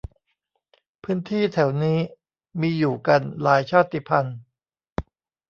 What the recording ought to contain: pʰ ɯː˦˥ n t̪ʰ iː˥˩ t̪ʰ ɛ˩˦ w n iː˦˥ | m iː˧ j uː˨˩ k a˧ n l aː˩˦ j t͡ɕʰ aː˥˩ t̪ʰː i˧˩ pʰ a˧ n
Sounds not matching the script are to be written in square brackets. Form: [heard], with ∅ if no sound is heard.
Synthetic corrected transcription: pʰ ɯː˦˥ n t̪ʰ iː˥˩ t̪ʰ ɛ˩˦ w n iː˦˥ | m iː˧ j uː˨˩ k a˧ n l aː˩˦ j t͡ɕʰ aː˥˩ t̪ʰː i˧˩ pʰ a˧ n